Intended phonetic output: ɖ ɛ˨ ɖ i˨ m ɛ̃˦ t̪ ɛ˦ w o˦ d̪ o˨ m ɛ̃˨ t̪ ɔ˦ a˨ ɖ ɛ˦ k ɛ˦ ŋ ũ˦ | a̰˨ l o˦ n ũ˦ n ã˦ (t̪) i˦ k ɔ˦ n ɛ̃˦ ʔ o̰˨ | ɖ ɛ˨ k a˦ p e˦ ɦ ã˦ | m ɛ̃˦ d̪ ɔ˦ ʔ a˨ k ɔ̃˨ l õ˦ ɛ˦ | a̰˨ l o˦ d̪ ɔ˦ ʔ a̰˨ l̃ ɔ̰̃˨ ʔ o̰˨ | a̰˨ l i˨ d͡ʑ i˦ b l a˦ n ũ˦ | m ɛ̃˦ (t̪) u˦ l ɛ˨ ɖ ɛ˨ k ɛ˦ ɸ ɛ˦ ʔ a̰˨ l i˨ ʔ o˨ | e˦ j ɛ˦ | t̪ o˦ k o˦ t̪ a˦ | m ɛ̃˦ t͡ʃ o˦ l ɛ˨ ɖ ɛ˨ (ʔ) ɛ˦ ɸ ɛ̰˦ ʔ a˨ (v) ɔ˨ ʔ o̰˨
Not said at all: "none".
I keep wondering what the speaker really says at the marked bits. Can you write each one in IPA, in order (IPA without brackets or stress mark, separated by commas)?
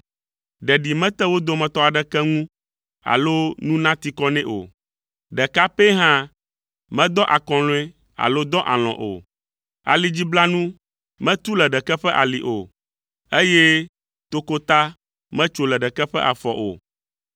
t̪, t̪, k, f